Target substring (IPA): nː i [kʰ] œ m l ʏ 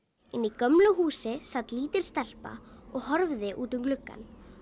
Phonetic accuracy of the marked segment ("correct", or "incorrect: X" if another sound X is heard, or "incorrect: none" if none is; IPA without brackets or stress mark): incorrect: k